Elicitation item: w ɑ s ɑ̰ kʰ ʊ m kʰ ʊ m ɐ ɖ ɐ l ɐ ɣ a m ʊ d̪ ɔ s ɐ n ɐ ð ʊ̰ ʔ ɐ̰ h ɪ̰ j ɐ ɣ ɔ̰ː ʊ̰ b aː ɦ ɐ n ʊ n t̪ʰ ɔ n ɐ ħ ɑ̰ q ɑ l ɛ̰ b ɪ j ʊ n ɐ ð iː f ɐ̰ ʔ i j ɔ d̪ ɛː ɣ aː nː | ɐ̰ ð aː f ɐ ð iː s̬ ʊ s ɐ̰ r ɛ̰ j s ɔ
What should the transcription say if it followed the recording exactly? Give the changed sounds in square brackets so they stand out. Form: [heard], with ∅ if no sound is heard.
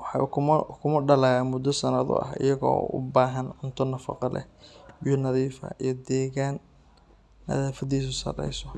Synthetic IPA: w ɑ [ħ] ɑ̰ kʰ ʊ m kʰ ʊ m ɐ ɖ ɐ l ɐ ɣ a m ʊ d̪ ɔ s ɐ n ɐ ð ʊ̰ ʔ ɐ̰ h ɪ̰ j ɐ ɣ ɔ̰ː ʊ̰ b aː ɦ ɐ n ʊ n t̪ʰ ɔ n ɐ [f] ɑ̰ q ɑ l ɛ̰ b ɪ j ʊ n ɐ ð iː f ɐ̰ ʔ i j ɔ d̪ ɛː ɣ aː nː | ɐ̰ ð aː f ɐ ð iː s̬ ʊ s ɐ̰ r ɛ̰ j s ɔ